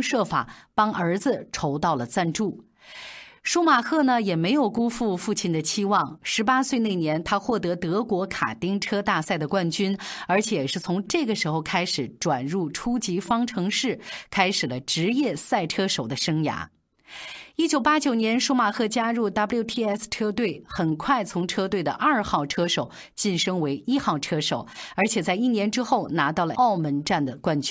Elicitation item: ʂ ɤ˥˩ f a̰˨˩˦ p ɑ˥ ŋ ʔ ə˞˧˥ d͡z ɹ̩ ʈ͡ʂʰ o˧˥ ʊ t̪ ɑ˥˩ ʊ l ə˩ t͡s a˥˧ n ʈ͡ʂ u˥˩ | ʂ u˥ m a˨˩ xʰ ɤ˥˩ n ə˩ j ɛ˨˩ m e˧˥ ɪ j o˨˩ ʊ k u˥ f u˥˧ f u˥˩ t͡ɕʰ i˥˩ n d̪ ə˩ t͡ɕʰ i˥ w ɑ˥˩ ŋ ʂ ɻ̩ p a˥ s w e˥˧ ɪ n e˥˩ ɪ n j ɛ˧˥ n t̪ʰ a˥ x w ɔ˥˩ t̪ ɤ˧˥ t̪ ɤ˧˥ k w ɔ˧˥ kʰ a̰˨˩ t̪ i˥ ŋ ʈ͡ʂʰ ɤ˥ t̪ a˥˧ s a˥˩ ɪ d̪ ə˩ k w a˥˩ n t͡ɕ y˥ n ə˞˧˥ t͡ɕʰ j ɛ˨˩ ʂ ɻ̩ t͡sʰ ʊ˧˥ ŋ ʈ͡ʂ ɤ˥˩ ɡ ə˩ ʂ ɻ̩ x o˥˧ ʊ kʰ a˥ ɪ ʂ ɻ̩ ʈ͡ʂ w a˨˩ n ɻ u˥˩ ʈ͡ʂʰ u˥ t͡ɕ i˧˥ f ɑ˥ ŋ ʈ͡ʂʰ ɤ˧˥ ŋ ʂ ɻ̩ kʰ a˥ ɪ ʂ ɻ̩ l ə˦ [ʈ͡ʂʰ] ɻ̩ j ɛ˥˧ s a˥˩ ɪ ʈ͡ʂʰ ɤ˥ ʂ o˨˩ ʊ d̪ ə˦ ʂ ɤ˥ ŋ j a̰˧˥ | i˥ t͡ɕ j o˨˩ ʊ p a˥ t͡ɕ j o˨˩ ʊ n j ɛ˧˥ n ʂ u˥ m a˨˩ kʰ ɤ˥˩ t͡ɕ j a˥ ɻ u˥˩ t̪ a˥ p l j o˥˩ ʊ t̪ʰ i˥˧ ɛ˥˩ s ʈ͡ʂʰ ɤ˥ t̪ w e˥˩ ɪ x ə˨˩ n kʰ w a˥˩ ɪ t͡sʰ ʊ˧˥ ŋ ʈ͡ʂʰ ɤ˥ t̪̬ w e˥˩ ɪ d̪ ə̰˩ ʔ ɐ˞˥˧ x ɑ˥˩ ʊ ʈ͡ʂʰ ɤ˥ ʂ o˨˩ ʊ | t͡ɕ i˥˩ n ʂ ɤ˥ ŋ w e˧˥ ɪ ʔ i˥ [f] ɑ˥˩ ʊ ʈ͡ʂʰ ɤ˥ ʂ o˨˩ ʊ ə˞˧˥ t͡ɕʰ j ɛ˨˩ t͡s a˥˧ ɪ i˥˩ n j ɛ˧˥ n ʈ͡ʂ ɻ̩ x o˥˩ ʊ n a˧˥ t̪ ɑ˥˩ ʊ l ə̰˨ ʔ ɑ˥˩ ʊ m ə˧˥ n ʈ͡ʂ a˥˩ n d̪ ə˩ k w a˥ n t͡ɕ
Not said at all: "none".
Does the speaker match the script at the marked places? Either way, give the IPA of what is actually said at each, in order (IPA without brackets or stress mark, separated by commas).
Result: ʈ͡ʂ, x